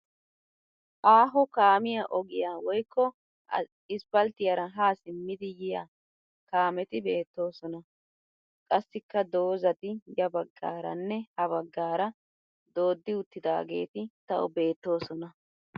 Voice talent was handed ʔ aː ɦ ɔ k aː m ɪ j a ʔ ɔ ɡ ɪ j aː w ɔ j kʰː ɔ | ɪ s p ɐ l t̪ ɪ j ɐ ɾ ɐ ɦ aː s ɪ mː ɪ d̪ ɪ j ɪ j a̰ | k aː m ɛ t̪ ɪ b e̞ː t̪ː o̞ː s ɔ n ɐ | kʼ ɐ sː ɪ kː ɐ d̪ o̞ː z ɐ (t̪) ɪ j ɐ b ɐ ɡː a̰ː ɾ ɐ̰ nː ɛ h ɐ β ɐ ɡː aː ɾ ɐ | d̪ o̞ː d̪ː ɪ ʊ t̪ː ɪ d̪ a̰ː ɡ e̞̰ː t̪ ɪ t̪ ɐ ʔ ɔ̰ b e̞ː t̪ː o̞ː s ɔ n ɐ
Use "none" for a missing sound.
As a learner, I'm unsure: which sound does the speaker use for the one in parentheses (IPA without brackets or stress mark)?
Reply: t̪